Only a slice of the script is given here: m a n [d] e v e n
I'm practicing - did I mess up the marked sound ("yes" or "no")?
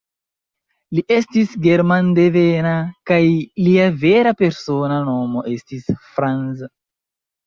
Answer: no